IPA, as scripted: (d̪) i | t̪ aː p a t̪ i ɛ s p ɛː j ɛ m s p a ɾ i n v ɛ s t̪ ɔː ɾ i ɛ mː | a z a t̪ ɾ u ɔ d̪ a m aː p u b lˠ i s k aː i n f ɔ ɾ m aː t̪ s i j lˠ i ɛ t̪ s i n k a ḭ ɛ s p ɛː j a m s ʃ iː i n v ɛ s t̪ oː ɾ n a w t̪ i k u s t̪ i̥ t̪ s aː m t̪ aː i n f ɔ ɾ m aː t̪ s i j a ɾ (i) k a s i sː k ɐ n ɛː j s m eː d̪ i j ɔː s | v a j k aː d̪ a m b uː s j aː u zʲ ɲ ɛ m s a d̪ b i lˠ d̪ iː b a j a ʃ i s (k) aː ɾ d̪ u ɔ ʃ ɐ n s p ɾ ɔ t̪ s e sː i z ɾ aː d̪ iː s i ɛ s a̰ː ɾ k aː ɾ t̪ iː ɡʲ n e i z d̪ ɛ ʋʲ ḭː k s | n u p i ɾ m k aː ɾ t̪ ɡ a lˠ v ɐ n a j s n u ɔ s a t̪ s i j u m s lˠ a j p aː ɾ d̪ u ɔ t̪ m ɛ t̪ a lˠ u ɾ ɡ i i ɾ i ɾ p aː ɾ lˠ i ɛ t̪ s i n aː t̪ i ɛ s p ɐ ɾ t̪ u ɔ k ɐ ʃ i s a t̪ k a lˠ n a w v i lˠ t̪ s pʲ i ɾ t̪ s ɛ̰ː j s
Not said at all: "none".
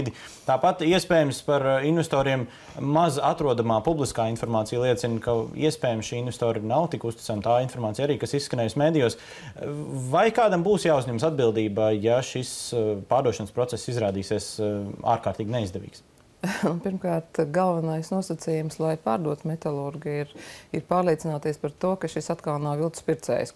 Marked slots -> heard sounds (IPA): d̪, iː, p

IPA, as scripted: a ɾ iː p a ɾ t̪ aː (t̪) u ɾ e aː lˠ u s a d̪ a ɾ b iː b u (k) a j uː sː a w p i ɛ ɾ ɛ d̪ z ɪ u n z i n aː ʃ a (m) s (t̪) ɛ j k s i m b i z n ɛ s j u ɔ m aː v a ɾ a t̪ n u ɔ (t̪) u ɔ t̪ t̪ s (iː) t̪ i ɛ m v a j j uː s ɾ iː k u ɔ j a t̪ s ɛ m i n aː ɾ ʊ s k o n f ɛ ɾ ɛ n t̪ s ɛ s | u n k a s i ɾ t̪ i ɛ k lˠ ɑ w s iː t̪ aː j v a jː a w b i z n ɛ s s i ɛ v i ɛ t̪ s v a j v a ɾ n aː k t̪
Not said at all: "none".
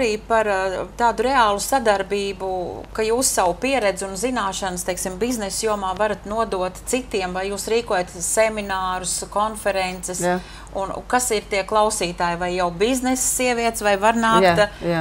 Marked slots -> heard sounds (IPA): d̪, k, n, t̪, d̪, i

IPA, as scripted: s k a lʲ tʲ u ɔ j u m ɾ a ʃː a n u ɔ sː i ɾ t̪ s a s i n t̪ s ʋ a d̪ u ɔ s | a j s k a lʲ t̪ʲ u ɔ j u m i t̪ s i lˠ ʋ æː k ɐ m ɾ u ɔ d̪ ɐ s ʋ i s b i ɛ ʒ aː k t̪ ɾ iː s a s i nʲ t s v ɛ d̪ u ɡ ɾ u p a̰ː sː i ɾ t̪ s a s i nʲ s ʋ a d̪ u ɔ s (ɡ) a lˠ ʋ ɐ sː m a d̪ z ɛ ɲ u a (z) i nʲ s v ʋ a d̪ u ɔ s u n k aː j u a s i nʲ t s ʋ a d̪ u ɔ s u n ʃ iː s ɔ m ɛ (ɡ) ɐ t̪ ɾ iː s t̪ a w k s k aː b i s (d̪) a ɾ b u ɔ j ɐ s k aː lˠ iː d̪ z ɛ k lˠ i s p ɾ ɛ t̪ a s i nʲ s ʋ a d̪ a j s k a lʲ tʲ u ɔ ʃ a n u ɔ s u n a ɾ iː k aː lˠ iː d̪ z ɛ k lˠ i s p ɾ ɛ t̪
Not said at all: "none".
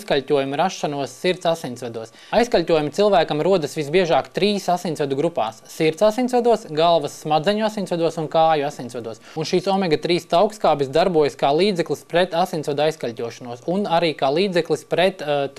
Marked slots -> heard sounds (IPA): ɡ, s, ɡ, d̪

